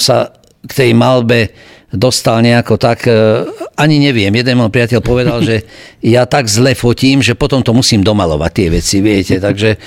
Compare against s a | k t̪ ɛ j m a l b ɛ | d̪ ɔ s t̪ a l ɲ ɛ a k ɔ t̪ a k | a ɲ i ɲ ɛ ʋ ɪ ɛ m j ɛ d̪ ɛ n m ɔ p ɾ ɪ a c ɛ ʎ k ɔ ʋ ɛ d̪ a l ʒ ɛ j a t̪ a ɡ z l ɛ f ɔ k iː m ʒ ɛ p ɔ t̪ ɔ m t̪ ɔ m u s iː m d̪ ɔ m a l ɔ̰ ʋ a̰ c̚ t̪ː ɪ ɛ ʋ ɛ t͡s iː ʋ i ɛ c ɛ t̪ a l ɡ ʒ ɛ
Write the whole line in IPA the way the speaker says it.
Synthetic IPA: s a | k t̪ ɛ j m a l b ɛ | d̪ ɔ s t̪ a l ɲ ɛ a k ɔ t̪ a k | a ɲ i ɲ ɛ ʋ ɪ ɛ m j ɛ d̪ ɛ n m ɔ p ɾ ɪ a c ɛ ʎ p ɔ ʋ ɛ d̪ a l ʒ ɛ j a t̪ a ɡ z l ɛ f ɔ c iː m ʒ ɛ p ɔ t̪ ɔ m t̪ ɔ m u s iː m d̪ ɔ m a l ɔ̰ ʋ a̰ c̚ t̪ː ɪ ɛ ʋ ɛ t͡s i ʋ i ɛ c ɛ t̪ a ɡ ʒ ɛ